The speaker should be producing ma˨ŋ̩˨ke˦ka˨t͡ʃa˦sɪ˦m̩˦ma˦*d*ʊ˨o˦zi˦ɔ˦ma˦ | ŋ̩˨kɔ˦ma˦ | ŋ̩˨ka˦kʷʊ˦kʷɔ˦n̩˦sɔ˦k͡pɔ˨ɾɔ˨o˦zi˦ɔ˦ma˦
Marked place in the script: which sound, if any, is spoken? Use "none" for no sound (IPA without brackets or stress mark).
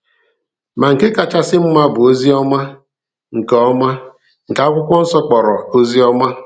b